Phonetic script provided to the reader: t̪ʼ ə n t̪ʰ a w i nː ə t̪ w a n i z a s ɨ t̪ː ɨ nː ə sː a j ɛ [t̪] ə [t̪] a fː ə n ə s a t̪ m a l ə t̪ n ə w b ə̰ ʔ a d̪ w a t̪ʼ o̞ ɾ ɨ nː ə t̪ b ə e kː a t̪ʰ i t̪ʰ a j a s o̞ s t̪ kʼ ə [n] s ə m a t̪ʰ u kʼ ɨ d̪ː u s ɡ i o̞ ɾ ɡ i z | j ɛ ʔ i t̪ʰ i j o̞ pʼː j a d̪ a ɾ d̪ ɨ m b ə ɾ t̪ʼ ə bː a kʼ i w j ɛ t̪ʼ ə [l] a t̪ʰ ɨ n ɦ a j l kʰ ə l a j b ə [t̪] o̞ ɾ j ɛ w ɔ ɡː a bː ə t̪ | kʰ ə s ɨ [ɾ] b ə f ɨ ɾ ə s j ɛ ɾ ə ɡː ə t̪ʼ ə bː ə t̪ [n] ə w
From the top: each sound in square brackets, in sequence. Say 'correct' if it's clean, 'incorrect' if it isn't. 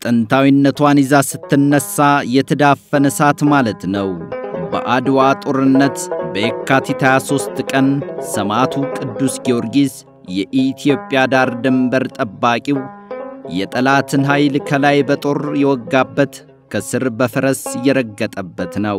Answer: incorrect: t̪ʰ, incorrect: d̪, correct, correct, incorrect: t̪ʼ, correct, correct

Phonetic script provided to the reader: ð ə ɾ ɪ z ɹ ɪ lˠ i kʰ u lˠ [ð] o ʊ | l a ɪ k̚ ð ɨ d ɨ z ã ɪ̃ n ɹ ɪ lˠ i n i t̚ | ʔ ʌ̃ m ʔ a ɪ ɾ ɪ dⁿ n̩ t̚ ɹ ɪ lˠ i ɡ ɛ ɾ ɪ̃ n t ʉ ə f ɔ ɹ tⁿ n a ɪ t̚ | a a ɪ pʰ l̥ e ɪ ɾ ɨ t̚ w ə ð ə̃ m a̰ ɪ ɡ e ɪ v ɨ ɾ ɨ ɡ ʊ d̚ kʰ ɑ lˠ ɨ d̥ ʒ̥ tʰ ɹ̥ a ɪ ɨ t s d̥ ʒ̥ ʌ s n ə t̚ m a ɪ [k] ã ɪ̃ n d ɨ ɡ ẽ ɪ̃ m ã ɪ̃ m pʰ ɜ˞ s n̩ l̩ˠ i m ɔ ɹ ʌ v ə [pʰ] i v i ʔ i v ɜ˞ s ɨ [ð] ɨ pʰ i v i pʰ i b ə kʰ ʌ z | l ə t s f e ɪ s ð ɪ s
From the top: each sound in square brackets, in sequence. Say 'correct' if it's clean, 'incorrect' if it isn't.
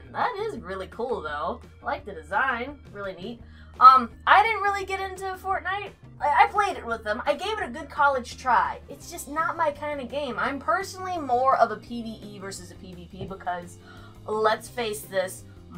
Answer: correct, incorrect: kʰ, correct, incorrect: z

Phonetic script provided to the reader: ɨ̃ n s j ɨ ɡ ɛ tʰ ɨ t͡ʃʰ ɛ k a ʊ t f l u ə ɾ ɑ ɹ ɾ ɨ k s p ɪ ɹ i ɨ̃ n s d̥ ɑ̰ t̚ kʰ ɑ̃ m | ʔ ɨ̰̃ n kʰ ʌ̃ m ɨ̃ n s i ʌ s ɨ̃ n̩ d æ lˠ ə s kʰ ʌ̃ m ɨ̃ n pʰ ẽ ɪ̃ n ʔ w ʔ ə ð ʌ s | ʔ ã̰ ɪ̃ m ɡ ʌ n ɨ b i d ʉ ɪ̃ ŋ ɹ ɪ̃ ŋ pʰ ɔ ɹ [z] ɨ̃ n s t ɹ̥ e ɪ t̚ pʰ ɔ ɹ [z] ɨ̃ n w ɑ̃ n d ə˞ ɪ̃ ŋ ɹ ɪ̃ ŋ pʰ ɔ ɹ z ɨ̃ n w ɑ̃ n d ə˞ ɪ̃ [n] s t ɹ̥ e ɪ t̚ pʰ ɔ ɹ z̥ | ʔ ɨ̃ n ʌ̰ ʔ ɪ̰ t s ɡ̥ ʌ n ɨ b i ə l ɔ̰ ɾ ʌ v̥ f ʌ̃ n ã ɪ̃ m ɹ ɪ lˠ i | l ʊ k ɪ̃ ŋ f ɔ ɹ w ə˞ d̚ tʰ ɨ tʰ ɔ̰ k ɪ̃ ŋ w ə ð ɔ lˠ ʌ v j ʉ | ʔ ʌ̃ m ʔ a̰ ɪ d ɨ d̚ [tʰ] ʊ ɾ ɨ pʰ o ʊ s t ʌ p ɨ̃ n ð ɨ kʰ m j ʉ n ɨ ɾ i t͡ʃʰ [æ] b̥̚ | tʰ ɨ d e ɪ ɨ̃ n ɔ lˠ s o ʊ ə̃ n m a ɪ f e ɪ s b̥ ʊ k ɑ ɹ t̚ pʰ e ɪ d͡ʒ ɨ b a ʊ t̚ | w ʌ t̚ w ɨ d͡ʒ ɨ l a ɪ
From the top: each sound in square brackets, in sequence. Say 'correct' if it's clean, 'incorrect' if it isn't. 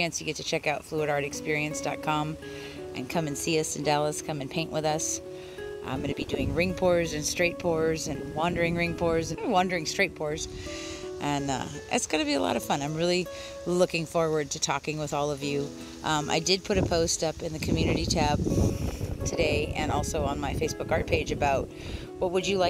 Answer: correct, correct, incorrect: ŋ, incorrect: pʰ, correct

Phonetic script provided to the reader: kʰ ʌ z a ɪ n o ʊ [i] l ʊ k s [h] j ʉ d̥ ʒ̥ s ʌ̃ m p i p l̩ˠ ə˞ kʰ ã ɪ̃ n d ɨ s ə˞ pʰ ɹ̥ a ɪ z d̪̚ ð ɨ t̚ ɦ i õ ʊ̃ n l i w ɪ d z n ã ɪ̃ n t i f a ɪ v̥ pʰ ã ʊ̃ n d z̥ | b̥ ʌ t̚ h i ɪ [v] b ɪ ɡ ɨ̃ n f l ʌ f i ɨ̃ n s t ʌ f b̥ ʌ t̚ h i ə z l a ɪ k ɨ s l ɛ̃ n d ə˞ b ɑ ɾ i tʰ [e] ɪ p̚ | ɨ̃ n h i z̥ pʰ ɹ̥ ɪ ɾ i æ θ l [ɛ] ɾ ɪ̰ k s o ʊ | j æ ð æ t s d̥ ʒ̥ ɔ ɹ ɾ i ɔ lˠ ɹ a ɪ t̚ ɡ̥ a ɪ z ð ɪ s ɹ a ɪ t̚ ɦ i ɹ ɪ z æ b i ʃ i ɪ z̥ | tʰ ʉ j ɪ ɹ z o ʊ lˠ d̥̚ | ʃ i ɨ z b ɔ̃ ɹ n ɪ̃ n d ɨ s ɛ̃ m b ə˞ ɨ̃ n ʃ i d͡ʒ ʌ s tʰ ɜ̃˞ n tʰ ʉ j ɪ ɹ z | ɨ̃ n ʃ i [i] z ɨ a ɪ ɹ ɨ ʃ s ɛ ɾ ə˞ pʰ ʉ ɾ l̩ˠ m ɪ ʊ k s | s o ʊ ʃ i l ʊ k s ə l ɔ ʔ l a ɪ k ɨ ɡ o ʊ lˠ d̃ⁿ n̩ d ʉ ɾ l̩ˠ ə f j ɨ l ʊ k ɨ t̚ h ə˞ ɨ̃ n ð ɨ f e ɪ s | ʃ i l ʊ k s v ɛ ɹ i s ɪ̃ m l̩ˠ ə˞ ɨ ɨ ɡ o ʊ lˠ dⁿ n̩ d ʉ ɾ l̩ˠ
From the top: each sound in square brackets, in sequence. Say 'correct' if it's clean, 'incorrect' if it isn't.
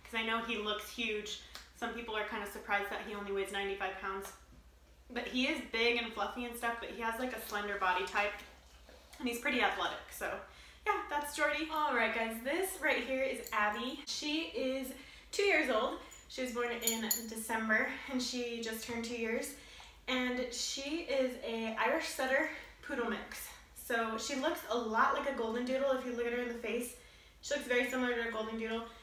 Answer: correct, correct, incorrect: z, incorrect: a, correct, incorrect: ɪ

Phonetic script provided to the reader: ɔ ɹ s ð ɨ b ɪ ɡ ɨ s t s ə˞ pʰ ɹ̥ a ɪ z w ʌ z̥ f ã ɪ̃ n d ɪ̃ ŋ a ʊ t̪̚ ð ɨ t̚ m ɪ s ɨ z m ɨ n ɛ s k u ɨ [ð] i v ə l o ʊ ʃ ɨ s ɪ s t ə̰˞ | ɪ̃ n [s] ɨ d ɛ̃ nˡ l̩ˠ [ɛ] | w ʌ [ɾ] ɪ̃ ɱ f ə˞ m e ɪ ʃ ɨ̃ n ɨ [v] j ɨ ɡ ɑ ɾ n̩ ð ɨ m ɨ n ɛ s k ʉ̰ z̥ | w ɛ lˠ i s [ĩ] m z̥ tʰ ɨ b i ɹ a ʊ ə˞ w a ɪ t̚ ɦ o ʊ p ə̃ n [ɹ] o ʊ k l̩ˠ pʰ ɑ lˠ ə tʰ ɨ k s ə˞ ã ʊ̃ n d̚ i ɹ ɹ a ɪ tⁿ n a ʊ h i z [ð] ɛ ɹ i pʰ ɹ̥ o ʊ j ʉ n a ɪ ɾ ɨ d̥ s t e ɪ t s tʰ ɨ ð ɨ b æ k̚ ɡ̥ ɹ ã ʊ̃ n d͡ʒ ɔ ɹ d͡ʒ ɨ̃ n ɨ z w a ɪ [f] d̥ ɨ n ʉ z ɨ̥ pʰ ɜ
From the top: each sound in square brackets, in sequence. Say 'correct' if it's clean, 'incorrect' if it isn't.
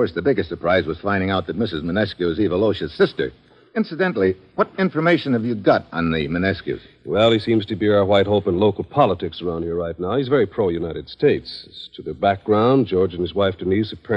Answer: incorrect: z, correct, incorrect: i, correct, correct, correct, incorrect: l, incorrect: v, correct

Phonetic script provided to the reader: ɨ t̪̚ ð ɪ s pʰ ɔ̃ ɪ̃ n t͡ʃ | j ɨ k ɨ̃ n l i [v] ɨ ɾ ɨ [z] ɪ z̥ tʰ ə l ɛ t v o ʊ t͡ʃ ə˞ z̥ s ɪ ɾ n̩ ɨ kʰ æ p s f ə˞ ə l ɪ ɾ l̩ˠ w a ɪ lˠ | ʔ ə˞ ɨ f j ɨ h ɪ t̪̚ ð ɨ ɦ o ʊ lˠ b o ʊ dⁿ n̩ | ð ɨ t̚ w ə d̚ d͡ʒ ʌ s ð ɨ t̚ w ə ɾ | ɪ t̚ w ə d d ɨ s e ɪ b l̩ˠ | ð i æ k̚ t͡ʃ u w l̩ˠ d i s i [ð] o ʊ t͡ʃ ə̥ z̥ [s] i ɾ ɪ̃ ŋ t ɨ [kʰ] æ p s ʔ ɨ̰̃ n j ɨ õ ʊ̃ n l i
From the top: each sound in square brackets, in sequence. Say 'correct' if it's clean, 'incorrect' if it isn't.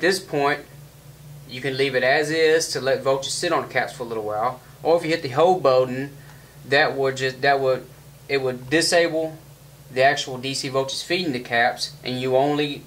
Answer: correct, correct, incorrect: v, incorrect: f, correct

